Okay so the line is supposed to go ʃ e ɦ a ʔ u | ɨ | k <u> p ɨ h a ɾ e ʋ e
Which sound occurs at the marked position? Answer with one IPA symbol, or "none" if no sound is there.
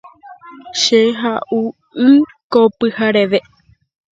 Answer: o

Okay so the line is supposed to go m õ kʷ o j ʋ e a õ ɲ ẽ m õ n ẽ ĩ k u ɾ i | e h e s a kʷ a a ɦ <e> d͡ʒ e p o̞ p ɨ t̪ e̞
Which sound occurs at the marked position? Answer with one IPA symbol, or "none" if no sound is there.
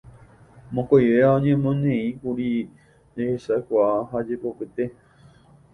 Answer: a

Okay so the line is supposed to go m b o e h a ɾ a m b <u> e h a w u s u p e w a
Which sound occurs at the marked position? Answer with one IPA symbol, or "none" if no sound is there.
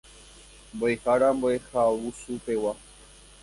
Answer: o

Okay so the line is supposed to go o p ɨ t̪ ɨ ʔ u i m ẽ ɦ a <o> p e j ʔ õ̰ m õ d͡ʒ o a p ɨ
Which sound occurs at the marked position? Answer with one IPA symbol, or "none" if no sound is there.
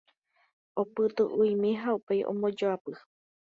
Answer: u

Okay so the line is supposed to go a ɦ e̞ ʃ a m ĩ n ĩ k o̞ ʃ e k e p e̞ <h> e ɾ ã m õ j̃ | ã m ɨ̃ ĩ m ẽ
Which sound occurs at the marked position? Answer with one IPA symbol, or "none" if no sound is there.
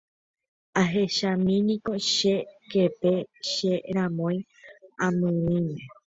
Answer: ʃ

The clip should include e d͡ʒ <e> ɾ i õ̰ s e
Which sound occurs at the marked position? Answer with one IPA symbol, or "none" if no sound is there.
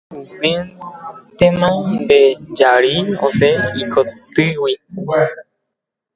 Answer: a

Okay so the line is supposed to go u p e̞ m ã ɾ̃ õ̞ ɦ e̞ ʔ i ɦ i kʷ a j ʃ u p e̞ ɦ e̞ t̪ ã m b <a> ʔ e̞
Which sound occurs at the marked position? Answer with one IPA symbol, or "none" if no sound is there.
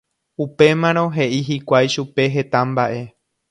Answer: a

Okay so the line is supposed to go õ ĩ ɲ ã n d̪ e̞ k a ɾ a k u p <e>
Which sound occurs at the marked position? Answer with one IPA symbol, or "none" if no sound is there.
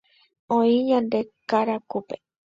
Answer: e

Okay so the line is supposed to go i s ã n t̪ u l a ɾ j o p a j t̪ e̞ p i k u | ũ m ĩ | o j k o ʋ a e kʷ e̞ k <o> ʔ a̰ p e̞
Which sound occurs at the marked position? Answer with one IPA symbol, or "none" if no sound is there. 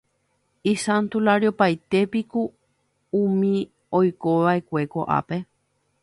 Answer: o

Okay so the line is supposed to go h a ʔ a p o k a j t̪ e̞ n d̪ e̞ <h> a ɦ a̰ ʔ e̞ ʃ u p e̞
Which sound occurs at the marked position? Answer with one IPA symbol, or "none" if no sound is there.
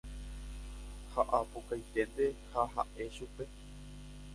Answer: h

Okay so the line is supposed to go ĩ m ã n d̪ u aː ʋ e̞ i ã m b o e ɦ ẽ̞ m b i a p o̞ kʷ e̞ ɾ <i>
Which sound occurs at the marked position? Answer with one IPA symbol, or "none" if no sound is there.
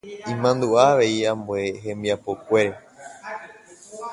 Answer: e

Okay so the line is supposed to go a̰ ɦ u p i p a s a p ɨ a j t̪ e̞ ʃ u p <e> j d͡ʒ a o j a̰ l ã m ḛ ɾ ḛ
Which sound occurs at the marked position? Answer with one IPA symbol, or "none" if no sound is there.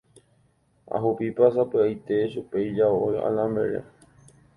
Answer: e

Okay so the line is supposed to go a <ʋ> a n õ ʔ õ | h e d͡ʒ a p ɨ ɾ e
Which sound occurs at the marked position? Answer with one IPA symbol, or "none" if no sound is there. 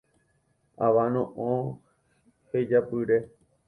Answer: ʋ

